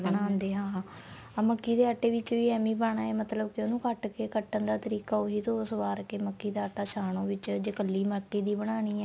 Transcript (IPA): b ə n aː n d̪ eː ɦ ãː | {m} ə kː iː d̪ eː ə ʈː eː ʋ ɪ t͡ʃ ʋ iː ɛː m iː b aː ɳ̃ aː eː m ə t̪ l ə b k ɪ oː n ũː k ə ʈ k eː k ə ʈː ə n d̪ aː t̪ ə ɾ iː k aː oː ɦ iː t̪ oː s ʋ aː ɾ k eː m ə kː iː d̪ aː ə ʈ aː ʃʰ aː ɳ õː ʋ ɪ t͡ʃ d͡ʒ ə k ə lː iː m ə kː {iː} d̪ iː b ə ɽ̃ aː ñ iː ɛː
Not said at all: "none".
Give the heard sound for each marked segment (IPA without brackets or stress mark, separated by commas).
m, iː